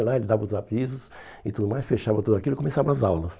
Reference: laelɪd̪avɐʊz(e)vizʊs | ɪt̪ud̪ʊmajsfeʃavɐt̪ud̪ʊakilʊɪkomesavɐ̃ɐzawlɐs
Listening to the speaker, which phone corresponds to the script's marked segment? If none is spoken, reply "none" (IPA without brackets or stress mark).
a